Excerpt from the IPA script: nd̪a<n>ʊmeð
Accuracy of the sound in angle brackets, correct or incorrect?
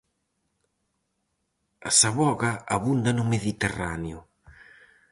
correct